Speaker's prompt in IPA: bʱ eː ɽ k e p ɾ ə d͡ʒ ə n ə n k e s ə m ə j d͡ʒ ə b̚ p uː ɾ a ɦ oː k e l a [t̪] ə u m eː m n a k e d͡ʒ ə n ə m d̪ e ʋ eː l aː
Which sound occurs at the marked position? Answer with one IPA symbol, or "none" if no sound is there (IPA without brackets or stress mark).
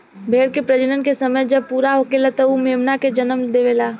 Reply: t̪